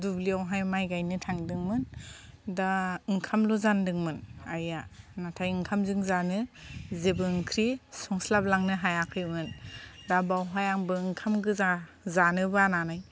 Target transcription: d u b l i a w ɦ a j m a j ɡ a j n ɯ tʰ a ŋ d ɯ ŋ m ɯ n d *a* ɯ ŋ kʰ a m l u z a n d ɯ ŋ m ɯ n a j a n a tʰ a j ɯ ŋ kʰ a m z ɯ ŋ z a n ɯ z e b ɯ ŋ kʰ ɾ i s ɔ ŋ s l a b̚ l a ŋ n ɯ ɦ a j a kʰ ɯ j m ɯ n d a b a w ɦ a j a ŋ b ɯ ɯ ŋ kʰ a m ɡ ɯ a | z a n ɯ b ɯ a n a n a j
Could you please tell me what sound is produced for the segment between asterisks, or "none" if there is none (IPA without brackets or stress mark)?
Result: a